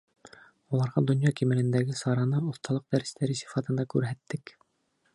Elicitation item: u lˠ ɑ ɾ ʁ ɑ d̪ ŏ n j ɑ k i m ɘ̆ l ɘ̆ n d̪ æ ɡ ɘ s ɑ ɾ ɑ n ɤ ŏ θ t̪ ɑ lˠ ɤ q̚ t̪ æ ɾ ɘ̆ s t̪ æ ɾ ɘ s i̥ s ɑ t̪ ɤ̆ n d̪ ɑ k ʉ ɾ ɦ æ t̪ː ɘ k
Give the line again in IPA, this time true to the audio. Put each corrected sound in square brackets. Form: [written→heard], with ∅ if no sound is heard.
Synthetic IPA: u lˠ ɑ ɾ ʁ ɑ d̪ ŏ n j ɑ k i m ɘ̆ l ɘ̆ n d̪ æ ɡ ɘ s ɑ ɾ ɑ n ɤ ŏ θ t̪ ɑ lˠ ɤ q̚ [t̪→d̪] æ ɾ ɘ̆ s t̪ æ ɾ ɘ s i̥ [s→f] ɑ t̪ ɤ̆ n d̪ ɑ k ʉ ɾ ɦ æ t̪ː ɘ k